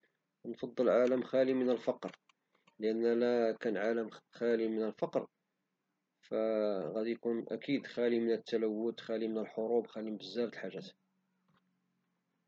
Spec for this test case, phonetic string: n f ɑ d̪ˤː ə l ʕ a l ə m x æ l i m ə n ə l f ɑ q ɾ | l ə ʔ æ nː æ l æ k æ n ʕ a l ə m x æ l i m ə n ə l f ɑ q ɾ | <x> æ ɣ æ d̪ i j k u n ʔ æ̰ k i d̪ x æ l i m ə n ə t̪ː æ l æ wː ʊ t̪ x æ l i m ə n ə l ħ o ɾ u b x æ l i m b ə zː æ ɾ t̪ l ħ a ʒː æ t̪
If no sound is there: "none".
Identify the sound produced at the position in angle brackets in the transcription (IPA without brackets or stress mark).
f